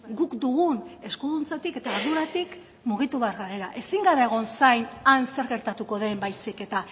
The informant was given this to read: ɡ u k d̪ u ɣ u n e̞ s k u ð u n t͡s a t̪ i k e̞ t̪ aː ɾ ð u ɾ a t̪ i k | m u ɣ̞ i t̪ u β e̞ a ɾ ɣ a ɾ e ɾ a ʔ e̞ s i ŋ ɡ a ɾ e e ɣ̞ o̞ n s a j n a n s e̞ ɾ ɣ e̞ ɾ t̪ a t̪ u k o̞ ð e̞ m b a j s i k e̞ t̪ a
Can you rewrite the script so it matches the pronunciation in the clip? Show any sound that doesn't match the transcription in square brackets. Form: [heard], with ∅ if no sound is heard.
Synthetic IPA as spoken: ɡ u k d̪ u ɣ u n e̞ s k u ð u n t͡s a t̪ i k e̞ t̪ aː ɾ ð u ɾ a t̪ i k | m u ɣ̞ i t̪ u β e̞ a ɾ ɣ a ɾ e ɾ a ʔ e̞ s i ŋ ɡ a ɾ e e ɣ̞ o̞ n s a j n a n s e̞ ɾ ɣ e̞ ɾ t̪ a t̪ u k o̞ ð e̞ m b a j s i k e̞ t̪ a

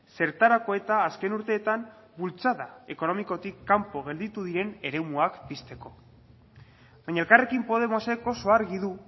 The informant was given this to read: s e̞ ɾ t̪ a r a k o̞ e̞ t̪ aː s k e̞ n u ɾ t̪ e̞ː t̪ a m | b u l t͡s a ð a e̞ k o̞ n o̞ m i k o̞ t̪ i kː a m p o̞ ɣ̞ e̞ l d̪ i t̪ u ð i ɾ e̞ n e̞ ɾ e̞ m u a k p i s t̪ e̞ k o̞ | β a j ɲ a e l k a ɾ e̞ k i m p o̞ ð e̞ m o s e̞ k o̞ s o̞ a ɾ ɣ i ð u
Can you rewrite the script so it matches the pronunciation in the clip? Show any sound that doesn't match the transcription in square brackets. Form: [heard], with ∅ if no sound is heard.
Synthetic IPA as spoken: s e̞ ɾ t̪ a [ɾ] a k o̞ e̞ t̪ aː s k e̞ n u ɾ t̪ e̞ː t̪ a m | b u l t͡s a ð a e̞ k o̞ n o̞ m i k o̞ t̪ i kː a m p o̞ ɣ̞ e̞ l d̪ i t̪ u ð i ɾ e̞ n e̞ ɾ e̞ m u a k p i s t̪ e̞ k o̞ | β a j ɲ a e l k a [r] e̞ k i m p o̞ ð e̞ m o s e̞ k o̞ s o̞ a ɾ ɣ i ð u

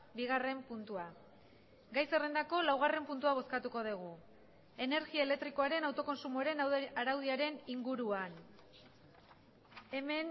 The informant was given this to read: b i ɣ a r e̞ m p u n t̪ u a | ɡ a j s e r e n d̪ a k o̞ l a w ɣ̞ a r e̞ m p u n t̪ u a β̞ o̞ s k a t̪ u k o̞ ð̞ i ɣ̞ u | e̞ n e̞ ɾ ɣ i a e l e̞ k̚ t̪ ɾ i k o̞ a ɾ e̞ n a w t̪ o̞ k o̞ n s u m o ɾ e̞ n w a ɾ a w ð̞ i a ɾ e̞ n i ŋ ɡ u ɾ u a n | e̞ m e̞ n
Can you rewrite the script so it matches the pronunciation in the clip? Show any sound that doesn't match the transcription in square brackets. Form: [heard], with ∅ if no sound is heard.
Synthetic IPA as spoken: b i ɣ a r e̞ m p u n t̪ u a | ɡ a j s e r e n d̪ a k o̞ l a w ɣ̞ a r e̞ m p u n t̪ u a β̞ o̞ s k a t̪ u k o̞ ð̞ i ɣ̞ u | e̞ n e̞ ɾ ɣ i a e l e̞ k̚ t̪ ɾ i k o̞ a ɾ e̞ n a w t̪ o̞ k o̞ n s u m o ɾ e̞ n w a ɾ a w ð̞ i a ɾ e̞ n i ŋ ɡ u ɾ u a n | e̞ m e̞ n

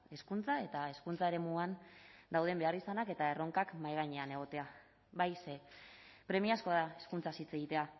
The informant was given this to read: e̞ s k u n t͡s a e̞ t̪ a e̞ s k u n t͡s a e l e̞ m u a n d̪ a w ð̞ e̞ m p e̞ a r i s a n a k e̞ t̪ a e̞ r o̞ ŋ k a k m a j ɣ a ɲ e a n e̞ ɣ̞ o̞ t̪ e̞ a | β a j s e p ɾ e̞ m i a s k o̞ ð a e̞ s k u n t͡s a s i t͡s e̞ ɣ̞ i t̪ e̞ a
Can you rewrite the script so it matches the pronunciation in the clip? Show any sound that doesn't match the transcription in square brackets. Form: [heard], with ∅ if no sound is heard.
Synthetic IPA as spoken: e̞ s k u n t͡s a e̞ t̪ a e̞ s k u n t͡s a e [ɾ] e̞ m u a n d̪ a w ð̞ e̞ m [b] e̞ a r i s a n a k e̞ t̪ a e̞ r o̞ ŋ k a k m a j ɣ a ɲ e a n e̞ ɣ̞ o̞ t̪ e̞ a | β a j s e p ɾ e̞ m i a s k o̞ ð a e̞ s k u n t͡s a s i t͡s e̞ ɣ̞ i t̪ e̞ a

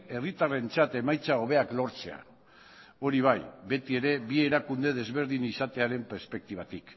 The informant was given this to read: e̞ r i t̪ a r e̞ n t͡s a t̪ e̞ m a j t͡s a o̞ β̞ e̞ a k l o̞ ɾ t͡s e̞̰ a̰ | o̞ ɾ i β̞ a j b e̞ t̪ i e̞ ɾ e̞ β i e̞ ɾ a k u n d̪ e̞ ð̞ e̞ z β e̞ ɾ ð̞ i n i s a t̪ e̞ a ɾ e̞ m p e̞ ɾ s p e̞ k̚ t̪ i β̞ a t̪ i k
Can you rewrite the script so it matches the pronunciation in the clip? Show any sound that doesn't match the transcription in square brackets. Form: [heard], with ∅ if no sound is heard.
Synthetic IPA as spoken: e̞ r i t̪ a r e̞ n t͡s a t̪ e̞ m a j t͡s a o̞ β̞ e̞ a k l o̞ ɾ t͡s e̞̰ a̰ | o̞ ɾ i β̞ a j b e̞ t̪ i e̞ ɾ e̞ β i e̞ ɾ a k u n d̪ e̞ ð̞ e̞ z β e̞ ɾ ð̞ i n i s a t̪ e̞ a ɾ e̞ m p e̞ ɾ s p e̞ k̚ t̪ i β̞ a t̪ i k

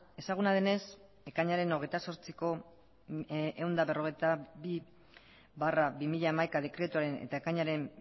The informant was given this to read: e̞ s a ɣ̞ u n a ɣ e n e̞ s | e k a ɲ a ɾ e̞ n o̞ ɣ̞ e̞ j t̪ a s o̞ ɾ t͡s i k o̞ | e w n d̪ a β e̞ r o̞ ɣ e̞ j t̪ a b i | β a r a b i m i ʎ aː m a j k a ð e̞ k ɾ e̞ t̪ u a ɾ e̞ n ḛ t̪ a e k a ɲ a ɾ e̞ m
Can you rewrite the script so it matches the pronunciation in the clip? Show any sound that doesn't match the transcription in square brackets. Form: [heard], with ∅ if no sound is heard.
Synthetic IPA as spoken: e̞ s a ɣ̞ u n a [ð] e n e̞ s | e k a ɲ a ɾ e̞ n o̞ ɣ̞ e̞ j t̪ a s o̞ ɾ t͡s i k o̞ | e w n d̪ a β e̞ r o̞ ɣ e̞ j t̪ a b i | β a r a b i m i ʎ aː m a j k a ð e̞ k ɾ e̞ t̪ u a ɾ e̞ n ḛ t̪ a e k a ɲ a ɾ e̞ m

